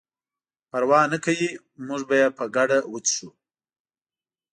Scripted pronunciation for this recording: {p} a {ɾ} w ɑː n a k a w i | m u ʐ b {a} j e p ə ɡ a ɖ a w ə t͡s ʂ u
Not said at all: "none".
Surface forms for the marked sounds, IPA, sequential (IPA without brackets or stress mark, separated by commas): p, ɾ, a